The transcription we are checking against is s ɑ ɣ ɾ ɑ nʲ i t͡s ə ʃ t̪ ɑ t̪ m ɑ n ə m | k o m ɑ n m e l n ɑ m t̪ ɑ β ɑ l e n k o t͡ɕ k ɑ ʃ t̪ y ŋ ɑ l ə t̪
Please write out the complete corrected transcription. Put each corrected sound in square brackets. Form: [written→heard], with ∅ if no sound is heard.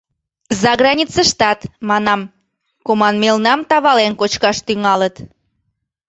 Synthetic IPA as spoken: [s→z] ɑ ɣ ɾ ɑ nʲ i t͡s ə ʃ t̪ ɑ t̪ m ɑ n [ə→ɑ] m | k o m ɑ n m e l n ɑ m t̪ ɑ β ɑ l e n k o t͡ɕ k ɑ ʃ t̪ y ŋ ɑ l ə t̪

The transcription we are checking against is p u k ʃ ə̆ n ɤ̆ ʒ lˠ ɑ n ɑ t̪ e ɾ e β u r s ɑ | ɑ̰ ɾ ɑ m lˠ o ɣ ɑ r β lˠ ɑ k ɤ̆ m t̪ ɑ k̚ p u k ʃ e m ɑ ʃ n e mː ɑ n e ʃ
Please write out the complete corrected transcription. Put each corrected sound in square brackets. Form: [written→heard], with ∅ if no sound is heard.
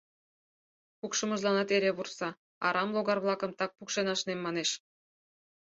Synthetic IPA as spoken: p u k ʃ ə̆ [n→m] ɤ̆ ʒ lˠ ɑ n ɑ t̪ e ɾ e β u r s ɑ | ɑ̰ ɾ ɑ m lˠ o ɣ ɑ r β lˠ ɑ k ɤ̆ m t̪ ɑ k̚ p u k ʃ e [m→n] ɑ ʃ n e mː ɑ n e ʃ

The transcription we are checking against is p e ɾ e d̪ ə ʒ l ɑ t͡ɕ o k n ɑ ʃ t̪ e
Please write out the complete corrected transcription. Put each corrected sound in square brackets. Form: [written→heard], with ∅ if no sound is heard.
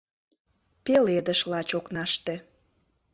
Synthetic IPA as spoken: p e [ɾ→l] e d̪ ə [ʒ→ʃ] l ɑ t͡ɕ o k n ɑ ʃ t̪ e

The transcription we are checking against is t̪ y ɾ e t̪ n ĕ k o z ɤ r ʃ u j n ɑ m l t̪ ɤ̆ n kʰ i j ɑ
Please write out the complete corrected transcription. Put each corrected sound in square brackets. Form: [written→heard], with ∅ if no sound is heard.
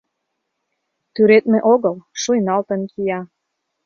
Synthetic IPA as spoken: t̪ y ɾ e t̪ [n→m] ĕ [k→ʔ] o [z→ɣ] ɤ [r→l] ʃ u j n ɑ [m→∅] l t̪ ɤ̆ n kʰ i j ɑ

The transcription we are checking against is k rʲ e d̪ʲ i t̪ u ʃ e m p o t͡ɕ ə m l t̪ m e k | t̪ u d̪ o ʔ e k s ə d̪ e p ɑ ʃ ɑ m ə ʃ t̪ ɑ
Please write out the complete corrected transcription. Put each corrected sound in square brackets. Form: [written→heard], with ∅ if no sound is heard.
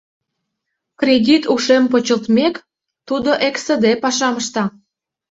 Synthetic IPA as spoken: k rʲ e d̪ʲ i t̪ u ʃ e m p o t͡ɕ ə [m→∅] l t̪ m e k | t̪ u d̪ o ʔ e k s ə d̪ e p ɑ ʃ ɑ m ə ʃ t̪ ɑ

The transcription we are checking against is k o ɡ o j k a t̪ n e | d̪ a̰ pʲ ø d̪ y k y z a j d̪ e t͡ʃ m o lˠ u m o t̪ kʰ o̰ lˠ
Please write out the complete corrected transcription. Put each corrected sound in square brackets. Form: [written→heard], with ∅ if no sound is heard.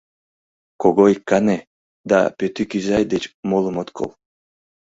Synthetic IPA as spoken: k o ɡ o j k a [t̪→∅] n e | d̪ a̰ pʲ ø [d̪→t̪] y k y z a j d̪ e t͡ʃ m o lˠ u m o t̪ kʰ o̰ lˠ

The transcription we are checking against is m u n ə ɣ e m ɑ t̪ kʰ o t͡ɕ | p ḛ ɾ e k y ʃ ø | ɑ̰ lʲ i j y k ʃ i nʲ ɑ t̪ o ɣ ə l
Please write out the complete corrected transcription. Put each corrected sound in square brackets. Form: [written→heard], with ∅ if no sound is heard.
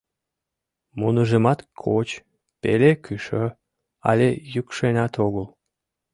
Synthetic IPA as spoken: m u n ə [ɣ→ʒ] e m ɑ t̪ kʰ o t͡ɕ | p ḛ [ɾ→l] e k y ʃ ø | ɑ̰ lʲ [i→e] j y k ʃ [i→e] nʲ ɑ t̪ o ɣ ə l

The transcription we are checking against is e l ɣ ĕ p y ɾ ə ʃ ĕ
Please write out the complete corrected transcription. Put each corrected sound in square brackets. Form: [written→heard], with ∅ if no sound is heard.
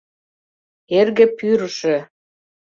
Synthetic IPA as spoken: e [l→r] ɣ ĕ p y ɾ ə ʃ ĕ

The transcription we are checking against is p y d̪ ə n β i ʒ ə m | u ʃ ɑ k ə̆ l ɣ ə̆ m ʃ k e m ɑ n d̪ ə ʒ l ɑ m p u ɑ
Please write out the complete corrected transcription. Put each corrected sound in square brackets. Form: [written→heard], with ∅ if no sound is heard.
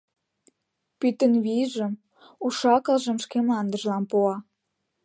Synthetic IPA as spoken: p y [d̪→t̪] ə n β i ʒ ə m | u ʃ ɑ k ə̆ l [ɣ→ʒ] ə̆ m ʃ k e m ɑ n d̪ ə ʒ l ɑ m p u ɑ

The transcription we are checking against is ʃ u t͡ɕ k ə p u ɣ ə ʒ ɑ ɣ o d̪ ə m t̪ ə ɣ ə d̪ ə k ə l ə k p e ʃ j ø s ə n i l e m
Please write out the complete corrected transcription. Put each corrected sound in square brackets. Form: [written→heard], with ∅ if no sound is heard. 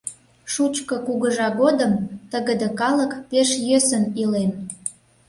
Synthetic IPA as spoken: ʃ u t͡ɕ k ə [p→k] u ɣ ə ʒ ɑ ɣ o d̪ ə m t̪ ə ɣ ə d̪ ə k [ə→ɑ] l ə k p e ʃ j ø s ə n i l e [m→n]

